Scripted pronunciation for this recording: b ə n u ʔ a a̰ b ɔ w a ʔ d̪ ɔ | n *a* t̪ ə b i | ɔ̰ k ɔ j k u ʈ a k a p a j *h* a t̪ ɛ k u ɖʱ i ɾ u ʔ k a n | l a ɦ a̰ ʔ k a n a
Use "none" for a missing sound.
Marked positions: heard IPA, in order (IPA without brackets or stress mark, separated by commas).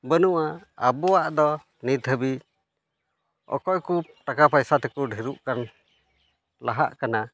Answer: i, s